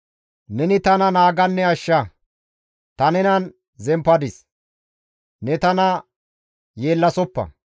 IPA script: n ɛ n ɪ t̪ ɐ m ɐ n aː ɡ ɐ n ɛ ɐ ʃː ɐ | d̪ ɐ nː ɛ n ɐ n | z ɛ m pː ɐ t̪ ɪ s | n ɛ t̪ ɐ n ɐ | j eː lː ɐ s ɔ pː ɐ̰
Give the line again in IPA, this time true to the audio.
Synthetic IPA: n ɛ n ɪ t̪ ɐ n ɐ n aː ɡ ɐ nː ɛ ɐ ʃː ɐ | t̪ ɐ n ɛ n ɐ n | z ɛ m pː ɐ d̪ ɪ s | n ɛ t̪ ɐ n ɐ | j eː lː ɐ s ɔ pː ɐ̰

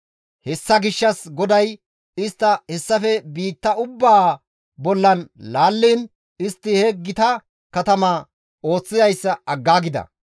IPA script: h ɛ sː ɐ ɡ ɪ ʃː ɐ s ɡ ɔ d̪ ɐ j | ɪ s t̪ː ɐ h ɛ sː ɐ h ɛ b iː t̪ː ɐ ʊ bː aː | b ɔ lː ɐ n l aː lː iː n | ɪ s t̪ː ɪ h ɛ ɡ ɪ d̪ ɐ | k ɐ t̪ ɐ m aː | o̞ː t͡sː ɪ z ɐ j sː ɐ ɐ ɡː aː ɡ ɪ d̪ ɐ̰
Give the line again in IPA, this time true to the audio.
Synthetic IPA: h ɛ sː ɐ ɡ ɪ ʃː ɐ s ɡ ɔ d̪ ɐ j | ɪ s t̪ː ɐ h ɛ sː ɐ f ɛ b iː t̪ː ɐ ʊ bː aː | b ɔ lː ɐ n l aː lː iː n | ɪ s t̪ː ɪ h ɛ ɡ ɪ t̪ ɐ | k ɐ t̪ ɐ m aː | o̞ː t͡sː ɪ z ɐ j sː ɐ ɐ ɡː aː ɡ ɪ d̪ ɐ̰

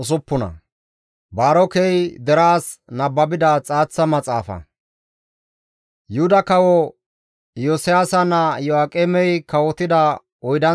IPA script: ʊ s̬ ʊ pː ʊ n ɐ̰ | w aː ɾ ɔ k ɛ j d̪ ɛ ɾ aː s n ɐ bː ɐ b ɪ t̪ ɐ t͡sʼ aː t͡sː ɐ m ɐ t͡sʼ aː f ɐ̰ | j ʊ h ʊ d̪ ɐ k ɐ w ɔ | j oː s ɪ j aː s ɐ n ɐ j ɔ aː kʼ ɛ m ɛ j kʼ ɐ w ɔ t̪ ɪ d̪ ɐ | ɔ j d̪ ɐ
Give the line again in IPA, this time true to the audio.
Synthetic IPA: ʊ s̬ ʊ pː ʊ n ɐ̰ | b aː ɾ ɔ k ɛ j d̪ ɛ ɾ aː s n ɐ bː ɐ b ɪ d̪ ɐ t͡sʼ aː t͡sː ɐ m ɐ t͡sʼ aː f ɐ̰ | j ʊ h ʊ d̪ ɐ k ɐ w ɔ | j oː s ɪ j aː s ɐ n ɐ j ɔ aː kʼ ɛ m ɛ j k ɐ w ɔ t̪ ɪ d̪ ɐ | ɔ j d̪ ɐ

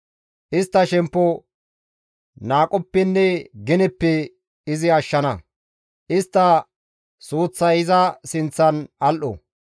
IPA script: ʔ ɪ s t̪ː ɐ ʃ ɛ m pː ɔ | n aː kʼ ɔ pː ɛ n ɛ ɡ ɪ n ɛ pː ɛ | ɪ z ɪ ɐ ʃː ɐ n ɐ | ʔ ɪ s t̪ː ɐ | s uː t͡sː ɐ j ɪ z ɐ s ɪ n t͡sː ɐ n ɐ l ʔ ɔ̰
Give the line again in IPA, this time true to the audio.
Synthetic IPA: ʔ ɪ s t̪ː ɐ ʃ ɛ m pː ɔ | n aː kʼ ɔ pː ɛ nː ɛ ɡ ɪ n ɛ pː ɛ | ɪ z ɪ ɐ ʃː ɐ n ɐ | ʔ ɪ s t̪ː ɐ | s uː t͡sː ɐ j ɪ z ɐ s ɪ n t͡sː ɐ n ɐ l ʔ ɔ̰

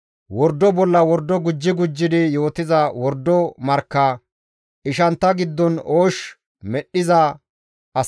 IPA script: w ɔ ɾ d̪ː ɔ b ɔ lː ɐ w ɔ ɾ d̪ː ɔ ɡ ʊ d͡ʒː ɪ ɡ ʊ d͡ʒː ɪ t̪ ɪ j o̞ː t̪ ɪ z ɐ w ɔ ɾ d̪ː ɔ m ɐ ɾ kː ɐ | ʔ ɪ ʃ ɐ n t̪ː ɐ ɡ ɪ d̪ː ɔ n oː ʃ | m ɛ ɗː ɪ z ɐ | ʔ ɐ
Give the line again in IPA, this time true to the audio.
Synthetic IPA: w ɔ ɾ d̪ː ɔ b ɔ lː ɐ w ɔ ɾ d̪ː ɔ ɡ ʊ d͡ʒː ɪ ɡ ʊ d͡ʒː ɪ d̪ ɪ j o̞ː t̪ ɪ z ɐ w ɔ ɾ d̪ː ɔ m ɐ ɾ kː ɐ | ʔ ɪ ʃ ɐ n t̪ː ɐ ɡ ɪ d̪ː ɔ n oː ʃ | m ɛ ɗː ɪ z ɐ | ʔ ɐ

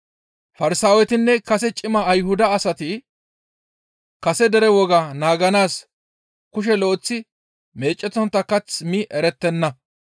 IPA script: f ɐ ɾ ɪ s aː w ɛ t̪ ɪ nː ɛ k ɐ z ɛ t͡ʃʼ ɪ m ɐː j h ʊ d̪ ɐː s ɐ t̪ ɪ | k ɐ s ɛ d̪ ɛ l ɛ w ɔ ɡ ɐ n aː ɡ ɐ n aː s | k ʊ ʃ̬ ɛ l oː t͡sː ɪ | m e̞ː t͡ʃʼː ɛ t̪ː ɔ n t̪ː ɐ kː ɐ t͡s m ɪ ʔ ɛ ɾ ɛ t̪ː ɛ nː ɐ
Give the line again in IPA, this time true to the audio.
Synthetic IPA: f ɐ ɾ ɪ s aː w ɛ t̪ ɪ nː ɛ k ɐ s ɛ t͡ʃʼ ɪ m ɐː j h ʊ d̪ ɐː s ɐ t̪ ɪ | k ɐ s ɛ d̪ ɛ ɾ ɛ w ɔ ɡ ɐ n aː ɡ ɐ n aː s | k ʊ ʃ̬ ɛ l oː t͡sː ɪ | m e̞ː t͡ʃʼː ɛ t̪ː ɔ n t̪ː ɐ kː ɐ t͡s m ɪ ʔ ɛ ɾ ɛ t̪ː ɛ nː ɐ

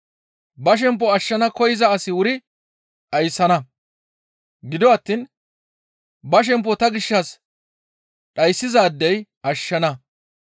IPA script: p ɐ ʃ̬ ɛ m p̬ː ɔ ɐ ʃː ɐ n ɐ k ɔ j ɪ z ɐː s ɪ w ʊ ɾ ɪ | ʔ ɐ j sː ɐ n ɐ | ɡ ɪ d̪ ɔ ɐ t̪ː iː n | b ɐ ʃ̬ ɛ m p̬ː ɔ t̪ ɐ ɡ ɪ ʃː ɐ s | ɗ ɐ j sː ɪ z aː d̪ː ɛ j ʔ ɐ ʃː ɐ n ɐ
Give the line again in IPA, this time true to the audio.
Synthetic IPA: b ɐ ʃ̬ ɛ m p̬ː ɔ ɐ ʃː ɐ n ɐ k ɔ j ɪ z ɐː s ɪ w ʊ ɾ ɪ | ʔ ɐ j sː ɐ n ɐ | ɡ ɪ d̪ ɔ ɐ t̪ː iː n | b ɐ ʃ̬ ɛ m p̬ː ɔ t̪ ɐ ɡ ɪ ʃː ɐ s | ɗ ɐ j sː ɪ z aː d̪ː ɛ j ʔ ɐ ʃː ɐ n ɐ

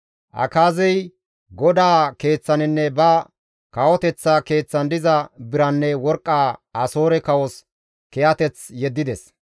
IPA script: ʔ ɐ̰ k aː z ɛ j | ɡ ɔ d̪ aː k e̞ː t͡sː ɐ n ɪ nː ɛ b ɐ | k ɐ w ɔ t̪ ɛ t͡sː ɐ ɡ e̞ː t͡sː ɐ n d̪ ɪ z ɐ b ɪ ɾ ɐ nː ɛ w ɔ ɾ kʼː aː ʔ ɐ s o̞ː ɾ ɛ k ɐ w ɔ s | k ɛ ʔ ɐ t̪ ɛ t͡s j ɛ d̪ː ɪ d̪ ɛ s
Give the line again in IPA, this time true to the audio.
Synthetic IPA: ʔ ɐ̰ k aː z ɛ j | ɡ ɔ d̪ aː k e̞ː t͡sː ɐ n ɪ nː ɛ b ɐ | k ɐ w ɔ t̪ ɛ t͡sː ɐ k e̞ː t͡sː ɐ n d̪ ɪ z ɐ b ɪ ɾ ɐ nː ɛ w ɔ ɾ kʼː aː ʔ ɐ s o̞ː ɾ ɛ k ɐ w ɔ s | k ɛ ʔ ɐ t̪ ɛ t͡s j ɛ d̪ː ɪ d̪ ɛ s

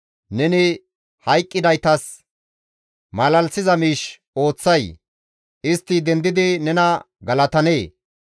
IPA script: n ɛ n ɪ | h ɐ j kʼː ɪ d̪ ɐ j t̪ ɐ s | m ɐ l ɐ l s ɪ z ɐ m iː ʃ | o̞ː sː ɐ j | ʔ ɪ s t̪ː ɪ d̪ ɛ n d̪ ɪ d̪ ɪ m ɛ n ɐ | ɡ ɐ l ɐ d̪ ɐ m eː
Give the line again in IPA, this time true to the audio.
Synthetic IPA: n ɛ n ɪ | h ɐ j kʼː ɪ d̪ ɐ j t̪ ɐ s | m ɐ l ɐ l s ɪ z ɐ m iː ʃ | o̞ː t͡sː ɐ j | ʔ ɪ s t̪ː ɪ d̪ ɛ n d̪ ɪ d̪ ɪ n ɛ n ɐ | ɡ ɐ l ɐ t̪ ɐ n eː

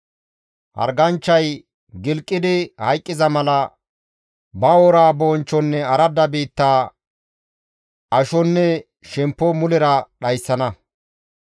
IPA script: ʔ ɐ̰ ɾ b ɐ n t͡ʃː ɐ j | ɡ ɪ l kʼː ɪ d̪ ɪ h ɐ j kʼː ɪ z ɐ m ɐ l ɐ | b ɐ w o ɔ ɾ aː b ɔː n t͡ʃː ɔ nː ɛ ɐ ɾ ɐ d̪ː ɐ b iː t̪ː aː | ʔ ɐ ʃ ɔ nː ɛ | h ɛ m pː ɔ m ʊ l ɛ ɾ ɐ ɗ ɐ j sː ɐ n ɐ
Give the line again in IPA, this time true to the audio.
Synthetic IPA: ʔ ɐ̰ ɾ ɡ ɐ n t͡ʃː ɐ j | ɡ ɪ l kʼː ɪ d̪ ɪ h ɐ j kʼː ɪ z ɐ m ɐ l ɐ | b ɐ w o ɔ ɾ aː b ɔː n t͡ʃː ɔ nː ɛ ɐ ɾ ɐ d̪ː ɐ b iː t̪ː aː | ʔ ɐ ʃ ɔ nː ɛ | ʃ ɛ m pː ɔ m ʊ l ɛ ɾ ɐ ɗ ɐ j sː ɐ n ɐ

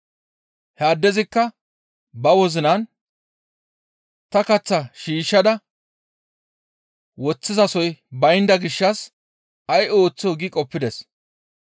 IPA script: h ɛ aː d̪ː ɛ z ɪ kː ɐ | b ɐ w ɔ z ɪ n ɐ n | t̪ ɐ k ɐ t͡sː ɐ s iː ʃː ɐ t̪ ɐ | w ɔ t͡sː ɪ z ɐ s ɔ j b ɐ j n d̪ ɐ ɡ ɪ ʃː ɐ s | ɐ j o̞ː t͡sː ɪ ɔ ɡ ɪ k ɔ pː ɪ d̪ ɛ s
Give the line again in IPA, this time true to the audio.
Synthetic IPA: h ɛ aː d̪ː ɛ z ɪ kː ɐ | b ɐ w ɔ z ɪ n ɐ n | t̪ ɐ k ɐ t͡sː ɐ ʃ iː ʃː ɐ d̪ ɐ | w ɔ t͡sː ɪ z ɐ s ɔ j b ɐ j n d̪ ɐ ɡ ɪ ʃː ɐ s | ɐ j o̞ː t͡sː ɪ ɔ ɡ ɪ kʼ ɔ pː ɪ d̪ ɛ s

